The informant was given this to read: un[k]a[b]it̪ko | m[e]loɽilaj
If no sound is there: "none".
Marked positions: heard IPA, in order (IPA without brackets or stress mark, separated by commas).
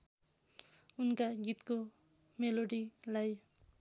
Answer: k, ɡ, e